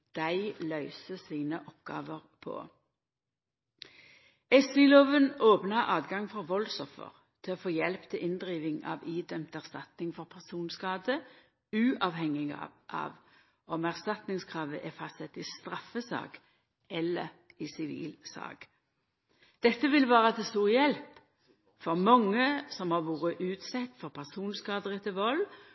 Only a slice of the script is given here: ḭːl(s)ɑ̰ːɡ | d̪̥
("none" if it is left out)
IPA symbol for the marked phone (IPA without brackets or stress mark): s